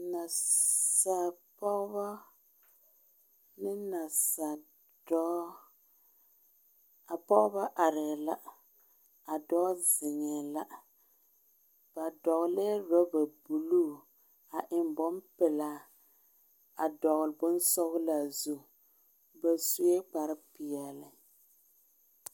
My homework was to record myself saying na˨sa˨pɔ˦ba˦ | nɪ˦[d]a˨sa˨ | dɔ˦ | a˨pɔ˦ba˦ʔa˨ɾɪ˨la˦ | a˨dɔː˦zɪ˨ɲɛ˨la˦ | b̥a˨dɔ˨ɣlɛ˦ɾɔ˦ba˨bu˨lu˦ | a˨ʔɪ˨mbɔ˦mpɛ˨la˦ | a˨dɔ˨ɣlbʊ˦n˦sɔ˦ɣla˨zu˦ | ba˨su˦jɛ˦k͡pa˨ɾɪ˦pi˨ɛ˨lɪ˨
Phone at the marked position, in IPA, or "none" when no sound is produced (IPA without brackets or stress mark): n